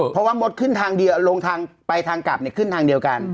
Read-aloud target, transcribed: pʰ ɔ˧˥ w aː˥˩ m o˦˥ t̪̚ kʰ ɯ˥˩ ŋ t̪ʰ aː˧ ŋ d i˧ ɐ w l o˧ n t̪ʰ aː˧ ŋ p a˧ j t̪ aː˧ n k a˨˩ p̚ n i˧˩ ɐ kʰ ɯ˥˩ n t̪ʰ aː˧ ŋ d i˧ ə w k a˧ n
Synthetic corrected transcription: pʰ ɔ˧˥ w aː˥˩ m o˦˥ t̪̚ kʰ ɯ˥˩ n t̪ʰ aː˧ ŋ d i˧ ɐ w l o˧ ŋ t̪ʰ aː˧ ŋ p a˧ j t̪ʰ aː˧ ŋ k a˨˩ p̚ n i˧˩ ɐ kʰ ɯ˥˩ n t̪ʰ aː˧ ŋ d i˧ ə w k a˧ n